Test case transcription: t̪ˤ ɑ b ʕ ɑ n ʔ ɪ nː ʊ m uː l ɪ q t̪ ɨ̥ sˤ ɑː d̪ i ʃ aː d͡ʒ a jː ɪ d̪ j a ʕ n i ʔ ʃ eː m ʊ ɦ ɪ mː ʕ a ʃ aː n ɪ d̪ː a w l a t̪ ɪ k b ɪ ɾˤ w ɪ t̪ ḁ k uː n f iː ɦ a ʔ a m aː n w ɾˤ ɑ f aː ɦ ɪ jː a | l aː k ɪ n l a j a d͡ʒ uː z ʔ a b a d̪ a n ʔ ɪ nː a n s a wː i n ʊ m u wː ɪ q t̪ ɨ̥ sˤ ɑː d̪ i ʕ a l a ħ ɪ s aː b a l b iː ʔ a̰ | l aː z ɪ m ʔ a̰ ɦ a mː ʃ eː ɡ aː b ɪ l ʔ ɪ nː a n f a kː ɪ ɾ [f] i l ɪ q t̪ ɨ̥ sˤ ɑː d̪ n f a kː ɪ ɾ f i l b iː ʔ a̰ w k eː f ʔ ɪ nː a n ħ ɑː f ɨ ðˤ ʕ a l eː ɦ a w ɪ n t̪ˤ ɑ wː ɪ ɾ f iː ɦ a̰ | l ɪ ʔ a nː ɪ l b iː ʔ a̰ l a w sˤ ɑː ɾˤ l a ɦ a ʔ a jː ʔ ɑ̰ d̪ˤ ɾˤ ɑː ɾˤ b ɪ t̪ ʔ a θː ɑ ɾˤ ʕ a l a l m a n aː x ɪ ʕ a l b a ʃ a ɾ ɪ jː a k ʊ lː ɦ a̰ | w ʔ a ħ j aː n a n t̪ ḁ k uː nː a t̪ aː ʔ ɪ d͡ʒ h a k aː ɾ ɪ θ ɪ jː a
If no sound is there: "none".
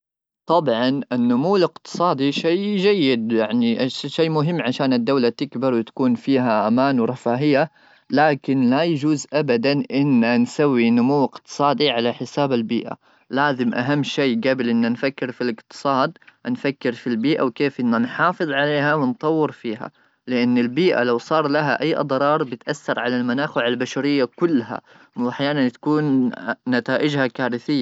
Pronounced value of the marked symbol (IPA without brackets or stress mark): f